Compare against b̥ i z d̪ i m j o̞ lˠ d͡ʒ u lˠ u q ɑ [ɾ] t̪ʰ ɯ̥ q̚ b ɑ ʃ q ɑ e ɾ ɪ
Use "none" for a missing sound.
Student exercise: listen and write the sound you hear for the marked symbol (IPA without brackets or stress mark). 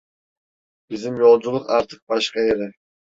ɾ